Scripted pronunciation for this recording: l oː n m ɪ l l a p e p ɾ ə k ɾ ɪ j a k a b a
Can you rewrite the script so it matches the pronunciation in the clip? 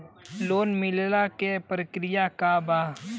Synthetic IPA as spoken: l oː n m ɪ l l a k e p ɾ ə k ɾ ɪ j a k a b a